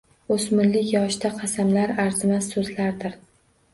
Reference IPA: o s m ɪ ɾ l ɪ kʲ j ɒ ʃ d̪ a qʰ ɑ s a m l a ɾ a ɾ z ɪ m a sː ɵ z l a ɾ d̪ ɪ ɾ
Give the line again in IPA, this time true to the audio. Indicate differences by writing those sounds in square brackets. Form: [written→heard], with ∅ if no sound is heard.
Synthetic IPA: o s m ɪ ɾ l ɪ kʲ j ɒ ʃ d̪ a qʰ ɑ s a m l a ɾ a ɾ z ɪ m a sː ɵ z l a ɾ d̪ ɪ ɾ

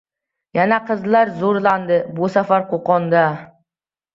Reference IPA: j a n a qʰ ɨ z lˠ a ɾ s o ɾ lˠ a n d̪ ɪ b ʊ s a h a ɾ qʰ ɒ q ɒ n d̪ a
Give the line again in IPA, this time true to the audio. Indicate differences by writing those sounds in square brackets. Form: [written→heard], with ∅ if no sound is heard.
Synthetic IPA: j a n a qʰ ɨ z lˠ a ɾ [s→z] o ɾ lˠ a n d̪ ɪ b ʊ s a [h→f] a ɾ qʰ [ɒ→o] q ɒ n d̪ a

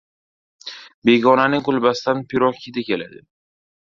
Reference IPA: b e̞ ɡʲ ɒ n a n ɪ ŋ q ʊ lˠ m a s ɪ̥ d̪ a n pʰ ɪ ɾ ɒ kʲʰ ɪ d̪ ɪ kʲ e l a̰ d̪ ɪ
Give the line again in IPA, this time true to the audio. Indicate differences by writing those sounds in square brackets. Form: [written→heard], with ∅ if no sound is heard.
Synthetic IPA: b e̞ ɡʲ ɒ n a n ɪ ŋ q ʊ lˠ [m→b] a s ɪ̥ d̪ a n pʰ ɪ ɾ ɒ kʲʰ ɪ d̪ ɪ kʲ e l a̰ d̪ ɪ

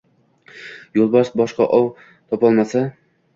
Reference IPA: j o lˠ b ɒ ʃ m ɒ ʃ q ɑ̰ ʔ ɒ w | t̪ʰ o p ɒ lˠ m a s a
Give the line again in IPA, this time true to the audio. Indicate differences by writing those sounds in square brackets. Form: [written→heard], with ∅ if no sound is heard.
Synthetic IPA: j o lˠ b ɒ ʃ [m→b] ɒ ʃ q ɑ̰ ʔ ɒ w | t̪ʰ [o→ɒ] p ɒ lˠ m a s a

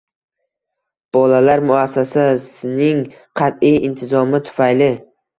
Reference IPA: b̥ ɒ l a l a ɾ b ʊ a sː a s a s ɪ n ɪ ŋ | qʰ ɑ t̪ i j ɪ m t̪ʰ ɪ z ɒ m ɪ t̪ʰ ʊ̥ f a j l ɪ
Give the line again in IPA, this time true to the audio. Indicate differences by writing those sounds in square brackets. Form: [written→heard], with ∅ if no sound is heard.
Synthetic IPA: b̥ ɒ l a l a ɾ [b→m] ʊ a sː a s a s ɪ n ɪ ŋ | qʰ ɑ t̪ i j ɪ [m→n] t̪ʰ ɪ z ɒ m ɪ t̪ʰ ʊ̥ f a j l ɪ

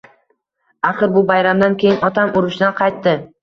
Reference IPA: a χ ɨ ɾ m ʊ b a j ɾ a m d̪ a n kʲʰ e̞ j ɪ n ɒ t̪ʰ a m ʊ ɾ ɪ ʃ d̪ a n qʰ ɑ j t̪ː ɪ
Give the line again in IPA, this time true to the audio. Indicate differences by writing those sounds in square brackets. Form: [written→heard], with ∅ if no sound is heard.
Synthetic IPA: a χ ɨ ɾ [m→b] ʊ b a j ɾ a m d̪ a n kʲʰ e̞ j ɪ n ɒ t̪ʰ a m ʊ ɾ ɪ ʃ d̪ a n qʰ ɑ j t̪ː ɪ

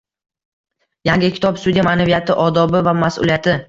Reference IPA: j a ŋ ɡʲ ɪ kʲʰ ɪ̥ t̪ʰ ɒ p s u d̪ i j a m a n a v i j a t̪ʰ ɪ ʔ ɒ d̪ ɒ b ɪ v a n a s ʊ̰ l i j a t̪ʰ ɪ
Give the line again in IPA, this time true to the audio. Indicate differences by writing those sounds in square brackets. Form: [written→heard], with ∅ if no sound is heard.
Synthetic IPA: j a ŋ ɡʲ ɪ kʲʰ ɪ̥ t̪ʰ ɒ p s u d̪ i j a m a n a v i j a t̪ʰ ɪ ʔ ɒ d̪ ɒ b ɪ v a [n→m] a s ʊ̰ l i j a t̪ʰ ɪ

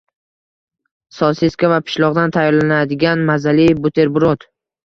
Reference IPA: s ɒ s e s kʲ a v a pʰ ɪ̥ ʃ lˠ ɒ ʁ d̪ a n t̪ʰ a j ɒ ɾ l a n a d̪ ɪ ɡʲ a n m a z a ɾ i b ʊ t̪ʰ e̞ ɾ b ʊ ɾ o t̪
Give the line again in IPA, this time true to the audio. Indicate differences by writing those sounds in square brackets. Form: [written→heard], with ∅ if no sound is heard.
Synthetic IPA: s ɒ s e s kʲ a v a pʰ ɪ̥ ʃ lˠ ɒ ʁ d̪ a n t̪ʰ a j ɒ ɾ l a n a d̪ ɪ ɡʲ a n m a z a [ɾ→l] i b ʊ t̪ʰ e̞ ɾ b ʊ ɾ o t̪

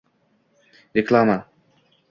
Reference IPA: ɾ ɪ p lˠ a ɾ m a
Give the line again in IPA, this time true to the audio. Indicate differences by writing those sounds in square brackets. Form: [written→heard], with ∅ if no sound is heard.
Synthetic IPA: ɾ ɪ [p→k] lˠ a [ɾ→∅] m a

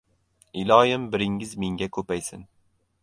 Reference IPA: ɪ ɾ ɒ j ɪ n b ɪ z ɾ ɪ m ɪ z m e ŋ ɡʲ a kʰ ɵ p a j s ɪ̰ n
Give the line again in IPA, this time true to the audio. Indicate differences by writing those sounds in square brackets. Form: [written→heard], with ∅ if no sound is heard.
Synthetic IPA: ɪ [ɾ→l] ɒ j ɪ [n→m] b ɪ [z→∅] ɾ ɪ [m→ŋ] ɪ z m e ŋ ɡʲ a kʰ ɵ p a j s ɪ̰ n

